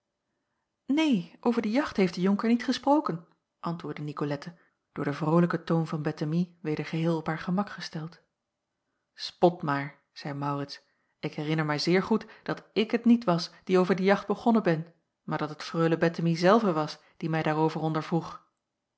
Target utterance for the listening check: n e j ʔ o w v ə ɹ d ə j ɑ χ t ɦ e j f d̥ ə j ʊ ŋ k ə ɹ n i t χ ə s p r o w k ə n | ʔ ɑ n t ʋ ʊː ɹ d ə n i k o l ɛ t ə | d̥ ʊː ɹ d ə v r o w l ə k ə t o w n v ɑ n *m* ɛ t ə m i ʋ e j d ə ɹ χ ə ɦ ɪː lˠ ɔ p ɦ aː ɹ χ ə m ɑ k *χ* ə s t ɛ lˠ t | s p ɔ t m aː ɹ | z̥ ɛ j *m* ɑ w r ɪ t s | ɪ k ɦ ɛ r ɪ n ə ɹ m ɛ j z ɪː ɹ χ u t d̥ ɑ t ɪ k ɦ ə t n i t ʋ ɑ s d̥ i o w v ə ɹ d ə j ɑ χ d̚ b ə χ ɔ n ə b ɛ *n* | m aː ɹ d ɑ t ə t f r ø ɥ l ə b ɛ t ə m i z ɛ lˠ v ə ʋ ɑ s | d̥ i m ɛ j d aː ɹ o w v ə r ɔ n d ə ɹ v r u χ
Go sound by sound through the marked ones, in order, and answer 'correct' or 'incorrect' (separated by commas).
incorrect, correct, correct, correct